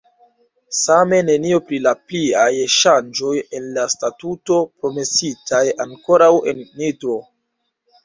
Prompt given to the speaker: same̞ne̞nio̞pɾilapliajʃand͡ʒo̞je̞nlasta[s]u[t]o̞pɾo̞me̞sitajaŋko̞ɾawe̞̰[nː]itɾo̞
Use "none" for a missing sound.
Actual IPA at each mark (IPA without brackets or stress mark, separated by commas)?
t, t, nː